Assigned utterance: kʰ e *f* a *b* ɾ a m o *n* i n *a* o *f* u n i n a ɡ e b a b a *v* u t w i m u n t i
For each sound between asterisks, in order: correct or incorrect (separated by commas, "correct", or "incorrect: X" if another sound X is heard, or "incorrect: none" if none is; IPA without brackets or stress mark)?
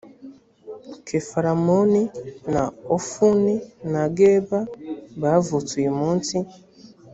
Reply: correct, incorrect: none, correct, correct, correct, correct